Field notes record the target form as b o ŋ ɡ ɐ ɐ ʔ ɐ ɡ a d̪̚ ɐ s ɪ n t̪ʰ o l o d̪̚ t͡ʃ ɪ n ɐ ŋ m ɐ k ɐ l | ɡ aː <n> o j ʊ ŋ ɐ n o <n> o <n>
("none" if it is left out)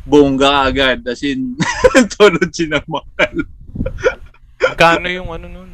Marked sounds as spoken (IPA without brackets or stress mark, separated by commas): n, n, n